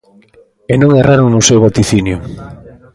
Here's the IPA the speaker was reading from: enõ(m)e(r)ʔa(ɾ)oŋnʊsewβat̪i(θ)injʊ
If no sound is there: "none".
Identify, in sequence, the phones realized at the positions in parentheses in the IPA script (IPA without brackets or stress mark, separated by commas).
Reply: ŋ, r, ɾ, θ